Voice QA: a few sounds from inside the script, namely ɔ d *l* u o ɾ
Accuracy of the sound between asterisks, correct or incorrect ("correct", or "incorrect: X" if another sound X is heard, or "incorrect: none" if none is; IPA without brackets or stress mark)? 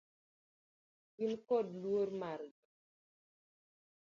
correct